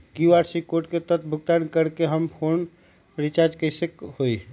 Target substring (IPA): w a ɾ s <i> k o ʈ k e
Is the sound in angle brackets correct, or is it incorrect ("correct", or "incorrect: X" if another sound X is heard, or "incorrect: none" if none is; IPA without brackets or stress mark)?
correct